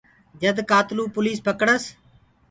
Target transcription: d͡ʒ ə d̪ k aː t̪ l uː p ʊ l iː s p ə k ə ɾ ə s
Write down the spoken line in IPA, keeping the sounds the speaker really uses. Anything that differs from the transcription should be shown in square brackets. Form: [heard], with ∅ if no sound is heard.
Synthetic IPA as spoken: d͡ʒ ə d̪ k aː t̪ l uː p ʊ l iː s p ə k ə [ɽ] ə s